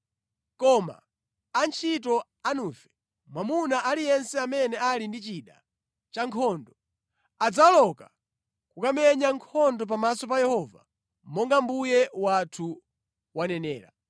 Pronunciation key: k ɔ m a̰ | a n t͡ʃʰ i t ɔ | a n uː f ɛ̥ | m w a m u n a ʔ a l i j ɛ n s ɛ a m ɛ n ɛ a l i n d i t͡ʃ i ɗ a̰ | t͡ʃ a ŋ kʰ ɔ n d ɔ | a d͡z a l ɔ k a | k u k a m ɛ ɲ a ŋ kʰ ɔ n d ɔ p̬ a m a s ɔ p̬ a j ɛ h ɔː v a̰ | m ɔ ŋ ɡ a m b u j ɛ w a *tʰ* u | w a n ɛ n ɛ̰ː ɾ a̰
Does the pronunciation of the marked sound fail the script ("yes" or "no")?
no